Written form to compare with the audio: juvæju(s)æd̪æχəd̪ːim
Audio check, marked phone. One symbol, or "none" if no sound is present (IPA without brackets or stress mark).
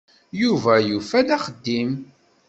f